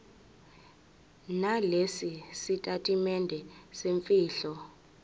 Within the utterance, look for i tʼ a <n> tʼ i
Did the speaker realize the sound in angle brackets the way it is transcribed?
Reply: no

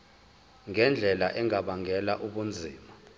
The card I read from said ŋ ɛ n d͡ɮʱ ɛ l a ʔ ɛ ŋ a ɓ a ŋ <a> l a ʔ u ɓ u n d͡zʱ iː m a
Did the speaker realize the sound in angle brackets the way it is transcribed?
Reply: no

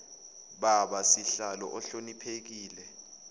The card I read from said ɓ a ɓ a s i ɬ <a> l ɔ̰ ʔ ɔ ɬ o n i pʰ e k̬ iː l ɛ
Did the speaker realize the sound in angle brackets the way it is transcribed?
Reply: yes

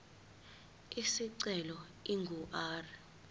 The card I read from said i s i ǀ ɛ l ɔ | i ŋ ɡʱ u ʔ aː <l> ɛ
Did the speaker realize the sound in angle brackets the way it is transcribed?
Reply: no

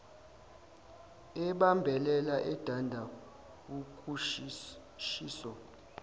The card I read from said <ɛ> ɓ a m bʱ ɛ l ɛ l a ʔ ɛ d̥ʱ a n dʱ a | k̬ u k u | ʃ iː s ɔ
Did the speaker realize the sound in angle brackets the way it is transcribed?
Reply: yes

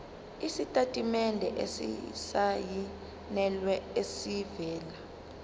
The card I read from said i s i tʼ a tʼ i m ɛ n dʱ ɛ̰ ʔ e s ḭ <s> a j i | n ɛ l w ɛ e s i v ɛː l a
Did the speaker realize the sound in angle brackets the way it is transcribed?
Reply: yes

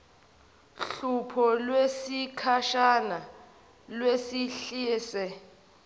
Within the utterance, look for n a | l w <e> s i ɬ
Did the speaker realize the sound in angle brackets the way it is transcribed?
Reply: yes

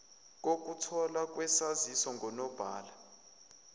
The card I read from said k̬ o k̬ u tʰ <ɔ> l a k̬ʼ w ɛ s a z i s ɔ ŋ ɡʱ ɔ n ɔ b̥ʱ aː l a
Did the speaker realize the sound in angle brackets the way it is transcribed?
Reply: yes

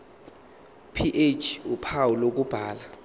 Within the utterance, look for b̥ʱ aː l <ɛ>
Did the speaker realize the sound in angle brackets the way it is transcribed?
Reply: no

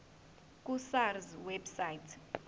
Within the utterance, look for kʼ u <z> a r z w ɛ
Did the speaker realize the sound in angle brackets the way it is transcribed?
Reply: no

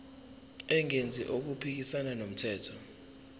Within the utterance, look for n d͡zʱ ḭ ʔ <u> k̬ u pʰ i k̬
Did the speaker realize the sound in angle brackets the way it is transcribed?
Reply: no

